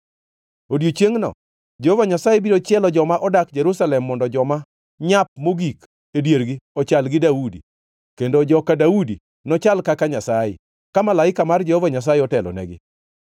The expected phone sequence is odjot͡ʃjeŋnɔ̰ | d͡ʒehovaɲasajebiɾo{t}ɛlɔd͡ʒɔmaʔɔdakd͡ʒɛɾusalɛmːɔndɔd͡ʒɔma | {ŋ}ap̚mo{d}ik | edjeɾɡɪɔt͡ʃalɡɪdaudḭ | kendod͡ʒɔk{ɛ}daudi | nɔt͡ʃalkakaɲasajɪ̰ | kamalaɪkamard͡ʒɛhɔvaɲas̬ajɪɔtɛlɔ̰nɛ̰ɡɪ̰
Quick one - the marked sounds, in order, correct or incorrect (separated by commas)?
incorrect, incorrect, incorrect, incorrect